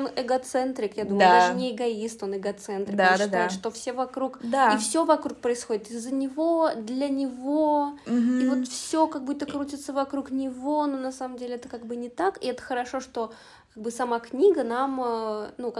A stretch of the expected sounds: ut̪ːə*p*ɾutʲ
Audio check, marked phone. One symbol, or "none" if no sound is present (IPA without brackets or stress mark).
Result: k